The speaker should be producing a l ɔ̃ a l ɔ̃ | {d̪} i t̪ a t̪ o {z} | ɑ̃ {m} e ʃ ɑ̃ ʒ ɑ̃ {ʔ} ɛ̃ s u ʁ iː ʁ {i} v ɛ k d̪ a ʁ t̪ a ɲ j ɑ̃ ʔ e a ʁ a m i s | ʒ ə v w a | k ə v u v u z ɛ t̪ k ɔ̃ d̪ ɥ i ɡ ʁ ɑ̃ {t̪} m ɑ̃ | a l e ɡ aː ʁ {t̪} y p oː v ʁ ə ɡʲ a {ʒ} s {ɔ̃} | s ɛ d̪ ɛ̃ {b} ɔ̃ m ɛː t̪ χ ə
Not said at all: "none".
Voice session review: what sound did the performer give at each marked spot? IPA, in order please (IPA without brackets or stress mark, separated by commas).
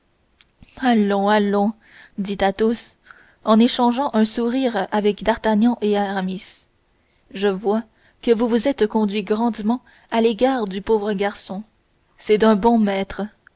d̪, s, n, ʔ, a, d̪, d̪, ʁ, ɔ̃, b